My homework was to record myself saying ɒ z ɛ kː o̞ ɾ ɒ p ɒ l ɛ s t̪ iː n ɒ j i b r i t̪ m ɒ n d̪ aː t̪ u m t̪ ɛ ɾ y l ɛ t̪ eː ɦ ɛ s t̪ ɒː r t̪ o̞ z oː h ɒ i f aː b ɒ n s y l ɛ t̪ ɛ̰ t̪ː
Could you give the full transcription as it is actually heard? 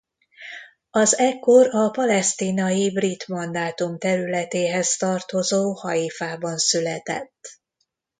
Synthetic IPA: ɒ z ɛ kː o̞ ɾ ɒ p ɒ l ɛ s t̪ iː n ɒ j i b r i t̪ m ɒ n d̪ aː t̪ u m t̪ ɛ ɾ y l ɛ t̪ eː ɦ ɛ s t̪ ɒ r t̪ o̞ z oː h ɒ i f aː b ɒ n s y l ɛ t̪ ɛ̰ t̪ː